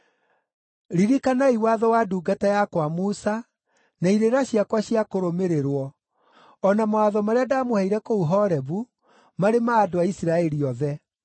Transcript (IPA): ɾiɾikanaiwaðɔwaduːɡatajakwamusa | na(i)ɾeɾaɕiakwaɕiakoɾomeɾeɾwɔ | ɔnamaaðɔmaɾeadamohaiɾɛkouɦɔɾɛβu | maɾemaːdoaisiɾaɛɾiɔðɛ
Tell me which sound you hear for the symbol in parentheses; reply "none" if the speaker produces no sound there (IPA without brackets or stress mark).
i